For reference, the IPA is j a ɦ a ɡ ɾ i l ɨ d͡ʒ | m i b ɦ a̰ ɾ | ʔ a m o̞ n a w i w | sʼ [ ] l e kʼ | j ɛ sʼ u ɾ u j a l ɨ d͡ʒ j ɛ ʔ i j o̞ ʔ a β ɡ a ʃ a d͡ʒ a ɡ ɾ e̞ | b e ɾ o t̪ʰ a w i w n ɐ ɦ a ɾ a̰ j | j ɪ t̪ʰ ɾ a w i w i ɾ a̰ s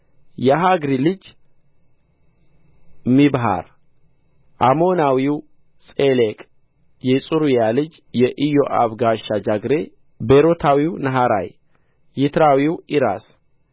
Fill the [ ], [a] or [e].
e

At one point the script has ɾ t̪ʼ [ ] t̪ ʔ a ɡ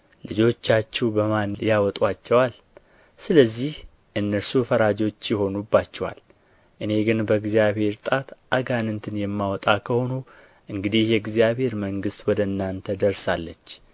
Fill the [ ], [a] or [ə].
a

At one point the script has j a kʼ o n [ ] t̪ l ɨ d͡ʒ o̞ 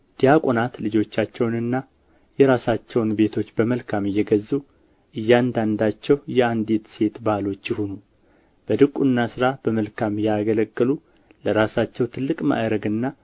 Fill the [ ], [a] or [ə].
a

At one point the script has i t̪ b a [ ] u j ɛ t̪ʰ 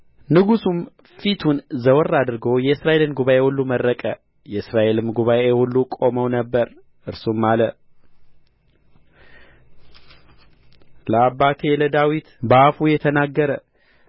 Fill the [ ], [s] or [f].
f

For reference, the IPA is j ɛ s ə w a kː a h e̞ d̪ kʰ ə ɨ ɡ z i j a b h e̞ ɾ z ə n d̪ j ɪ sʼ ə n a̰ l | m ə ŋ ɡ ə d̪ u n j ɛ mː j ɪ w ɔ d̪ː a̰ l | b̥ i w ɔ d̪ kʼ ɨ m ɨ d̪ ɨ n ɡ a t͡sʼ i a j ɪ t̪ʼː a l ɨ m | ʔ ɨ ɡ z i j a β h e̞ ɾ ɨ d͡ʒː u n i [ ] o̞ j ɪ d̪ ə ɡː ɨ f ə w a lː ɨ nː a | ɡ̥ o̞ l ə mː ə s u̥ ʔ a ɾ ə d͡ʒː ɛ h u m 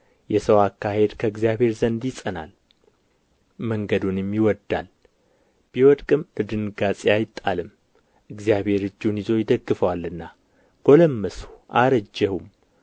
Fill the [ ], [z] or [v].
z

